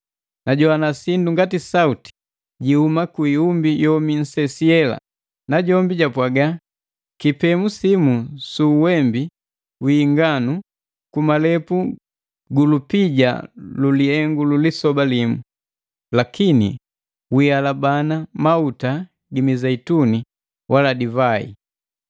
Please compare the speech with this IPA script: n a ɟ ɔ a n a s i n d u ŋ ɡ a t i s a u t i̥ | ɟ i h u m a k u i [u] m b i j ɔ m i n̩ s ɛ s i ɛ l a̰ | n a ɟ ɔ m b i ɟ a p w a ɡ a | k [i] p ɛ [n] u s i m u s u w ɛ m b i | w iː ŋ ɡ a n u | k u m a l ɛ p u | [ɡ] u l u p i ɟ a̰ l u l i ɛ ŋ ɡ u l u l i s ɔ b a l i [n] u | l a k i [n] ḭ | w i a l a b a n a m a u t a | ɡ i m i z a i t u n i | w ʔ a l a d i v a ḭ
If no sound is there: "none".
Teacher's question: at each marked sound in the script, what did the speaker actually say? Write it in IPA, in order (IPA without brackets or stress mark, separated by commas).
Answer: u, i, m, ɡ, m, n